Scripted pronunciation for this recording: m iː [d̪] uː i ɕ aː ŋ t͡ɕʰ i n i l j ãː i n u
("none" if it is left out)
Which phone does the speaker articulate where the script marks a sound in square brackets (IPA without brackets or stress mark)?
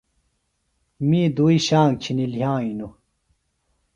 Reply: d̪